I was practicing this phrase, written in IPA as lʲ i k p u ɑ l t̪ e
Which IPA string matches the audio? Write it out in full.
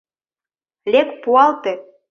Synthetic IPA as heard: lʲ e k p u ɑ l t̪ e